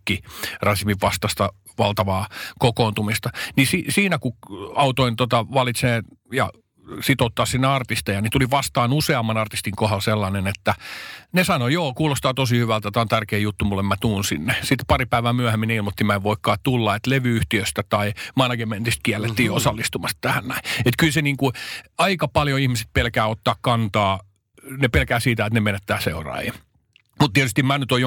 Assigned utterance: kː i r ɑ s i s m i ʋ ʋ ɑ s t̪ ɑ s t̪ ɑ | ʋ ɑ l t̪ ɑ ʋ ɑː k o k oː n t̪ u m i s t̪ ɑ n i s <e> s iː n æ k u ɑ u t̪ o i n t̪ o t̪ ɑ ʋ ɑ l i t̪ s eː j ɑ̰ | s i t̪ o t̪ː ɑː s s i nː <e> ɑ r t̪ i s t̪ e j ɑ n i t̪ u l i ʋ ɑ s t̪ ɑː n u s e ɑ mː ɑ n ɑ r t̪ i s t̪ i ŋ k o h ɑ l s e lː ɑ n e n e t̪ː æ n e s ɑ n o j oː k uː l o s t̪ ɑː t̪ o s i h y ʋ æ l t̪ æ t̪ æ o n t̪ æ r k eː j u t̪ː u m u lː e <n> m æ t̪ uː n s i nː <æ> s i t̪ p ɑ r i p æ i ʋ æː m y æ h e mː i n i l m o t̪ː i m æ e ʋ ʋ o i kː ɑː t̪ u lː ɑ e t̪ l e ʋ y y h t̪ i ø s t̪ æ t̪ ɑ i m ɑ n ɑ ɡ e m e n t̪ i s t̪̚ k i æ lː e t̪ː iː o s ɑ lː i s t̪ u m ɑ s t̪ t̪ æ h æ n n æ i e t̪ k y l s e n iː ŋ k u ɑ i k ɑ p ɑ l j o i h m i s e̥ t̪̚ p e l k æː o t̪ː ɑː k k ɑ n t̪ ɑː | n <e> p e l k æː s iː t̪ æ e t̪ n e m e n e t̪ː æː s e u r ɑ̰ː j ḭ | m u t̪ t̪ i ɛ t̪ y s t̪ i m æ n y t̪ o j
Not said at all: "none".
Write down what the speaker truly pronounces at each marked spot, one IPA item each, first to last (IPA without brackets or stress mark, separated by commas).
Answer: i, e, m, e, e